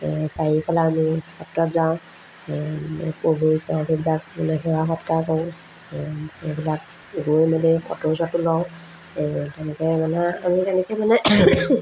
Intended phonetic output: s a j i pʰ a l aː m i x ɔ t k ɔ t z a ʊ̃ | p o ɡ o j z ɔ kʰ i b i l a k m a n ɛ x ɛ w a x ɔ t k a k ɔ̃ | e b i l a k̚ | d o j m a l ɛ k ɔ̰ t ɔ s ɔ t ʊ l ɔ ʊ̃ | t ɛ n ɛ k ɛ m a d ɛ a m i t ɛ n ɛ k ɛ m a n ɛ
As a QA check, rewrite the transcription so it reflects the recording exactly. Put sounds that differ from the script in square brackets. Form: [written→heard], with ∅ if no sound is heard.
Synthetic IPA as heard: s a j i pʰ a l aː m i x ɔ t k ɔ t z a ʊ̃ | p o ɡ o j [z→s] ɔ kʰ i b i l a k m a n ɛ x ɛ w a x ɔ t k a k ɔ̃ | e b i l a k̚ | [d→ɡ] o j m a l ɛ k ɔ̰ t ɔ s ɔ t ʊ l ɔ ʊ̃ | t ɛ n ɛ k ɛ m a [d→n] ɛ a m i t ɛ n ɛ k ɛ m a n ɛ

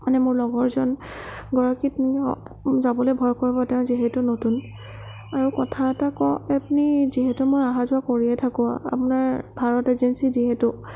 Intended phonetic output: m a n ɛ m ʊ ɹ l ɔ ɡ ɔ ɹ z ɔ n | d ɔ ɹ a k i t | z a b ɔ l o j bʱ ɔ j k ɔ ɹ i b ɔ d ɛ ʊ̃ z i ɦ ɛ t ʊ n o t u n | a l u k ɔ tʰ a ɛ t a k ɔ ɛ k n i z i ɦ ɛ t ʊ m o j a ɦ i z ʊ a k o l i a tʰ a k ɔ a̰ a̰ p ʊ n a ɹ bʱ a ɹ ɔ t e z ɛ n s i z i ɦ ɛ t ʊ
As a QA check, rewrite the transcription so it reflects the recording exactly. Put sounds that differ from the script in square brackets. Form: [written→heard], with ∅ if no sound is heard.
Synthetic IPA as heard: m a n ɛ m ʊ ɹ l ɔ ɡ ɔ ɹ z ɔ n | [d→ɡ] ɔ ɹ a k i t | z a b ɔ l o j bʱ ɔ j k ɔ ɹ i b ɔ [d→t] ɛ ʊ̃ z i ɦ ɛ t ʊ n o t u n | a [l→ɹ] u k ɔ tʰ a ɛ t a k ɔ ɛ [k→p] n i z i ɦ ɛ t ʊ m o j a ɦ [i→a] z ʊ a k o [l→ɹ] i [a→ɛ] tʰ a k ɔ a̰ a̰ p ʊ n a ɹ bʱ a ɹ ɔ t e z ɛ n s i z i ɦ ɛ t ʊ

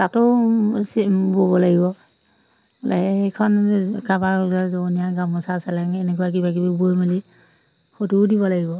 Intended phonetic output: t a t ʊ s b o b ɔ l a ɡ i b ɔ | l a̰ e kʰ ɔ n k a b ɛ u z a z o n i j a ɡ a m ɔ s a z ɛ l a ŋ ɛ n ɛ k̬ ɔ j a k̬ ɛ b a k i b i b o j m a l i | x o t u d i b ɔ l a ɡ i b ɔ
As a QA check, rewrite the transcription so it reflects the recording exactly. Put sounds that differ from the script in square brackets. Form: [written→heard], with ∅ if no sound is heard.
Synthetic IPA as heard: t a t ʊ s b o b ɔ l a ɡ i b ɔ | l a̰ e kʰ ɔ n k a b [ɛ→a] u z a z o n i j a ɡ a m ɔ s a [z→s] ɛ l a ŋ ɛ n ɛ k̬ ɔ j a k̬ [ɛ→i] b a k i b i b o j m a l i | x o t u d i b ɔ l a ɡ i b ɔ

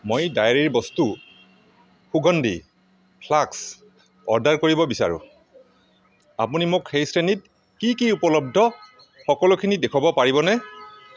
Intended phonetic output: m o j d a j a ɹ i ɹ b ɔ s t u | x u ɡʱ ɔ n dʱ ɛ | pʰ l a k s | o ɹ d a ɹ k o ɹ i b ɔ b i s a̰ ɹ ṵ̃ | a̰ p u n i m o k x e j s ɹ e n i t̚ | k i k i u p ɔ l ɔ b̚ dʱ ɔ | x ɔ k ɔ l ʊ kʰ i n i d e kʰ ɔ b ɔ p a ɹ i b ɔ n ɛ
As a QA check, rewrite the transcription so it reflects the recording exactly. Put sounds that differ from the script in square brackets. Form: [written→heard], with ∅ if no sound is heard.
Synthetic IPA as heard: m o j d a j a ɹ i ɹ b ɔ s t u | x u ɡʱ ɔ n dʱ [ɛ→i] | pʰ l a k s | [o→ɔ] ɹ d a ɹ k o ɹ i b ɔ b i s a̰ ɹ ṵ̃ | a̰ p u n i m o k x e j s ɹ e n i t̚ | k i k i u p ɔ l ɔ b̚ dʱ ɔ | x ɔ k ɔ l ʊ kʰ i n i d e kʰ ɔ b ɔ p a ɹ i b ɔ n ɛ

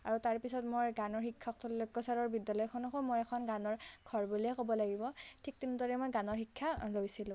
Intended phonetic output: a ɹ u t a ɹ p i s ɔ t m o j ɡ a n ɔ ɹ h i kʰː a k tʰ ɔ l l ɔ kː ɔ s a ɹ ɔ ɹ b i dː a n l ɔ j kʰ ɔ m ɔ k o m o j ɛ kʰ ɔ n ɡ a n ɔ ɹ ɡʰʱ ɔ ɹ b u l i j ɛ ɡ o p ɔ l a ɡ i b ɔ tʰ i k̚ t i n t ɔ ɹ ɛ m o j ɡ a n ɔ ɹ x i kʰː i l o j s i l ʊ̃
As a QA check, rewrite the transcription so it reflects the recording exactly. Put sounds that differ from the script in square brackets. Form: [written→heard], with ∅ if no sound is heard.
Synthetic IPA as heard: a ɹ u t a ɹ p i s ɔ t m o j ɡ a n ɔ ɹ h i kʰː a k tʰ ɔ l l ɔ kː ɔ s a ɹ ɔ ɹ b i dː a [n→∅] l ɔ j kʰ ɔ [m→n] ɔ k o m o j ɛ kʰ ɔ n ɡ a n ɔ ɹ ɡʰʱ ɔ ɹ b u l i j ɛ [ɡ→k] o [p→b] ɔ l a ɡ i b ɔ tʰ i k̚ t i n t ɔ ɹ ɛ m o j ɡ a n ɔ ɹ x i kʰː [i→a] l o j s i l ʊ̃

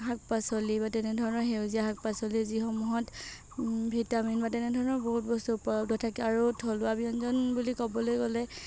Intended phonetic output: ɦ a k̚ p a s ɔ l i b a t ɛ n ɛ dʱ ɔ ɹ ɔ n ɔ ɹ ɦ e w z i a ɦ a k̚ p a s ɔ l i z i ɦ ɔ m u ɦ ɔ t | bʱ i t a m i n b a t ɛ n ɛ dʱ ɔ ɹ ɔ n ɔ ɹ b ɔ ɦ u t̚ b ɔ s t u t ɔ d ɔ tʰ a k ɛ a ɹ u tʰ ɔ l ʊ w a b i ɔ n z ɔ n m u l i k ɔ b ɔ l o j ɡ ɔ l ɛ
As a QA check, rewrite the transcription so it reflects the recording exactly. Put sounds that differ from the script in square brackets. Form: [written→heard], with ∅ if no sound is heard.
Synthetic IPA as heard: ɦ a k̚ p a s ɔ l i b a t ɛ n ɛ dʱ ɔ ɹ ɔ n ɔ ɹ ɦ e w z i a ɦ a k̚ p a s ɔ l i z i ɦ ɔ m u ɦ ɔ t | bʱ i t a m i n b a t ɛ n ɛ dʱ ɔ ɹ ɔ n ɔ ɹ b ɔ ɦ u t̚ b ɔ s t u [t→p] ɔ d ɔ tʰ a k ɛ a ɹ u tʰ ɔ l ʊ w a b i ɔ n z ɔ n [m→b] u l i k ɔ b ɔ l o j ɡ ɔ l ɛ

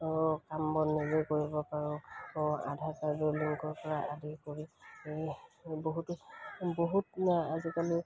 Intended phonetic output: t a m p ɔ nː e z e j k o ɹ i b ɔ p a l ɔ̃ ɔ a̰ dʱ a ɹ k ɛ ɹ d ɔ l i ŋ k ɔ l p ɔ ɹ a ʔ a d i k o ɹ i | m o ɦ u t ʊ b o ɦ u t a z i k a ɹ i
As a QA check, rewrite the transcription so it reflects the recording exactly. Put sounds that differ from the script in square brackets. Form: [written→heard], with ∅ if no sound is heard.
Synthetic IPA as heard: [t→k] a m [p→b] ɔ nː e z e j k o ɹ i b ɔ p a [l→ɹ] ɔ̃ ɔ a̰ dʱ a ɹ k [ɛ→a] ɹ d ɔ l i ŋ k ɔ [l→ɹ] p ɔ ɹ a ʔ a d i k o ɹ i | [m→b] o ɦ u t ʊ b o ɦ u t a z i k a [ɹ→l] i

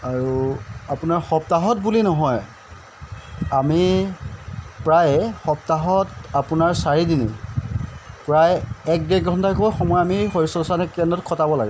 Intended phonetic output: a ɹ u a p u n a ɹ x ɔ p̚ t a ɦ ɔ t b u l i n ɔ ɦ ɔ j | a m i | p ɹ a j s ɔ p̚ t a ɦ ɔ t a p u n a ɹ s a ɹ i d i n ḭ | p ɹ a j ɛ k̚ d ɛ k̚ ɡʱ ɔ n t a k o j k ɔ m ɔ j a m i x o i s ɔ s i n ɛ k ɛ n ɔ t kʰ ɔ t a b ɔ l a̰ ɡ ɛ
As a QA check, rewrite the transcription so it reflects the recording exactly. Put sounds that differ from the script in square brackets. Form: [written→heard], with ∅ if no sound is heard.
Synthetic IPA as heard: a ɹ u a p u n a ɹ x ɔ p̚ t a ɦ ɔ t b u l i n ɔ ɦ ɔ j | a m i | p ɹ a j [s→x] ɔ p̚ t a ɦ ɔ t a p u n a ɹ s a ɹ i d i n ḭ | p ɹ a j ɛ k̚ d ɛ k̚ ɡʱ ɔ n t a k o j [k→x] ɔ m ɔ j a m i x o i s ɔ s [i→a] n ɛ k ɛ n ɔ t kʰ ɔ t a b ɔ l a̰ ɡ ɛ

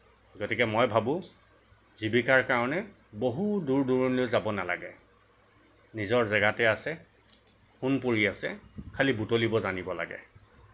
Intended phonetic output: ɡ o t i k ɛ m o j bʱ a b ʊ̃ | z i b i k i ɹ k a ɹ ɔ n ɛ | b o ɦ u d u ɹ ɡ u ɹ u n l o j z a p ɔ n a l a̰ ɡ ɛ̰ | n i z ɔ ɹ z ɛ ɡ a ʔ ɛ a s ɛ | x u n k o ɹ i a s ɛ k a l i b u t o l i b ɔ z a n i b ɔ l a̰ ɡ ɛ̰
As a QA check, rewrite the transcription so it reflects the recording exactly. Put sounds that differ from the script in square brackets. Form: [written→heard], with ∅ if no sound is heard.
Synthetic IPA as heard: ɡ o t i k ɛ m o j bʱ a b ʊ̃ | z i b i k [i→a] ɹ k a ɹ ɔ n ɛ | b o ɦ u d u ɹ [ɡ→d] u ɹ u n l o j z a [p→b] ɔ n a l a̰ ɡ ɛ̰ | n i z ɔ ɹ z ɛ ɡ a [ʔ→t] ɛ a s ɛ | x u n [k→p] o ɹ i a s ɛ [k→kʰ] a l i b u t o l i b ɔ z a n i b ɔ l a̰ ɡ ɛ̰

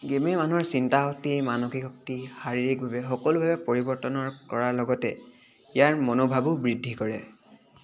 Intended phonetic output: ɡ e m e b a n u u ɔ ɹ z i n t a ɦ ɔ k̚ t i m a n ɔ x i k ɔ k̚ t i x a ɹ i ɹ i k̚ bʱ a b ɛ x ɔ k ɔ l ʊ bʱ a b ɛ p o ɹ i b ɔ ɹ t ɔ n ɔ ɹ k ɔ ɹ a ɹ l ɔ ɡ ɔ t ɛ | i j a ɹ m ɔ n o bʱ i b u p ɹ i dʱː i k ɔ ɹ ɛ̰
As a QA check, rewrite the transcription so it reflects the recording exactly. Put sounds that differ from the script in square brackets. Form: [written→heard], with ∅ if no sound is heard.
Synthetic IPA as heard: ɡ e m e [b→m] a n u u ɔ ɹ [z→s] i n t a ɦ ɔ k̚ t i m a n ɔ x i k ɔ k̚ t i x a ɹ i ɹ i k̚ bʱ a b ɛ x ɔ k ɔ l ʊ bʱ a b ɛ p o ɹ i b ɔ ɹ t ɔ n ɔ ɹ k ɔ ɹ a ɹ l ɔ ɡ ɔ t ɛ | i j a ɹ m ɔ n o bʱ [i→a] b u [p→b] ɹ i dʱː i k ɔ ɹ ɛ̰

